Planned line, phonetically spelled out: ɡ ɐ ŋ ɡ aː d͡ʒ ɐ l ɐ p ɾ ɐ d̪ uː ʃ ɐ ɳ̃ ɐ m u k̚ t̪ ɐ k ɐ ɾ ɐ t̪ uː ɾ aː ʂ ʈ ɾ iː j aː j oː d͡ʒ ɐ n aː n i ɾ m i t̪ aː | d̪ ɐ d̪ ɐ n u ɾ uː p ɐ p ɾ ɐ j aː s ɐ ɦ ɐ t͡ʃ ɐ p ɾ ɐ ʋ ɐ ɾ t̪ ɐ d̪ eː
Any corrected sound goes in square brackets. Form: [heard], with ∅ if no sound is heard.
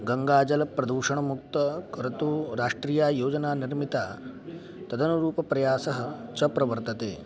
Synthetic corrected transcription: ɡ ɐ ŋ ɡ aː d͡ʒ ɐ l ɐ p ɾ ɐ d̪ uː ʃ ɐ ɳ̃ ɐ m u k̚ t̪ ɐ k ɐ ɾ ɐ t̪ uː ɾ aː ʂ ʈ ɾ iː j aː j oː d͡ʒ ɐ n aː n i ɾ m i t̪ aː | [t̪] ɐ d̪ ɐ n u ɾ uː p ɐ p ɾ ɐ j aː s ɐ ɦ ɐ t͡ʃ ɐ p ɾ ɐ ʋ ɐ ɾ t̪ ɐ [t̪] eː